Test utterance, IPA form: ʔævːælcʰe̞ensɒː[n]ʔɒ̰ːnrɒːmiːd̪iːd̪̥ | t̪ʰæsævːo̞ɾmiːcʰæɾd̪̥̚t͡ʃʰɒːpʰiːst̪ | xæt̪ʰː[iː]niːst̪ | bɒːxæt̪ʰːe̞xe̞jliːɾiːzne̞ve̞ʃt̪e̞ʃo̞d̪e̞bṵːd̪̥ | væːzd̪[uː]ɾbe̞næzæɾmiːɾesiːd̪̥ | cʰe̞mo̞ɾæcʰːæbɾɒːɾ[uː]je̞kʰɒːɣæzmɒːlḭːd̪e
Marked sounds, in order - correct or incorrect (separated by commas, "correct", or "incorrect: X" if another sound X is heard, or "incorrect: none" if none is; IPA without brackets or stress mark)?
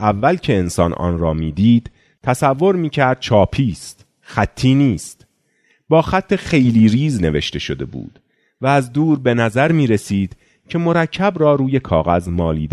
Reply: correct, correct, correct, correct